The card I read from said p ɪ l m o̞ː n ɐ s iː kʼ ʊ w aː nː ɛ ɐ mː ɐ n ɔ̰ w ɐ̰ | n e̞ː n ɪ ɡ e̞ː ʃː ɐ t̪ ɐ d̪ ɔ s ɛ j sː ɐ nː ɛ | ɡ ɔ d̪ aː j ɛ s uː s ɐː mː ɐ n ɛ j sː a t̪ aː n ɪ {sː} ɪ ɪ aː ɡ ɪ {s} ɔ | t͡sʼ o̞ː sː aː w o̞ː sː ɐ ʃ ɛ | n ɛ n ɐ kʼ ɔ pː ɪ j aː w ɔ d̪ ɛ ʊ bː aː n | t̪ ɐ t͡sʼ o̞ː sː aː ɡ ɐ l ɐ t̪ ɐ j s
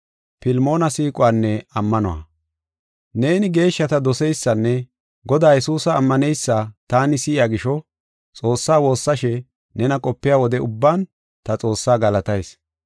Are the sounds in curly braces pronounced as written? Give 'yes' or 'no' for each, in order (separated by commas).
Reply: no, no